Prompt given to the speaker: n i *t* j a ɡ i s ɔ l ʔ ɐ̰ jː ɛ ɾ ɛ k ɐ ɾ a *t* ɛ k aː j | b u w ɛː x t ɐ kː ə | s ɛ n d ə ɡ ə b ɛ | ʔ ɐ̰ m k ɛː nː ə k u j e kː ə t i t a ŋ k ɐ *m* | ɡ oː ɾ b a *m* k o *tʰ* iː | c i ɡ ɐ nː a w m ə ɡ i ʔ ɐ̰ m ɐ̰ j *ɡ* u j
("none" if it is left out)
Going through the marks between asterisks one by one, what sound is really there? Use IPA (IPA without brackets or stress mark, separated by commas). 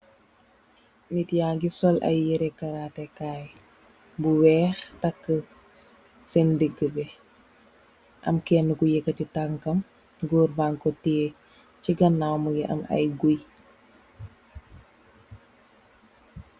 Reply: t, t, m, ŋ, t, ɡ